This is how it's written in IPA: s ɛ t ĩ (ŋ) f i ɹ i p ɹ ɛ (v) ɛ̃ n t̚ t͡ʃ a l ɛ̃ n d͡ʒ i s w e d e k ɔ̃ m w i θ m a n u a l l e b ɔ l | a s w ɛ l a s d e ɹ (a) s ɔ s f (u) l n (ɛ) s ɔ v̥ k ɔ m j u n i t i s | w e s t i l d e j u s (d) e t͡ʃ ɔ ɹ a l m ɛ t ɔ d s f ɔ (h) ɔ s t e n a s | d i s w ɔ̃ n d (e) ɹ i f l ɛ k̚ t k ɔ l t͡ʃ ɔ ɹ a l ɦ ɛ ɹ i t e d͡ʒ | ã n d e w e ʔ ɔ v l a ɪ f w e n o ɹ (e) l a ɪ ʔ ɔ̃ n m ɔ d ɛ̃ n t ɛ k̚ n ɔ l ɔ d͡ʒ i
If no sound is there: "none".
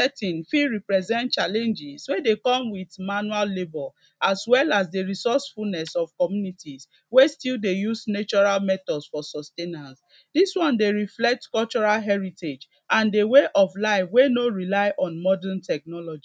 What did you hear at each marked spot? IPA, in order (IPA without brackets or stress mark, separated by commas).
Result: n, z, i, u, ɛ, n, s, e, i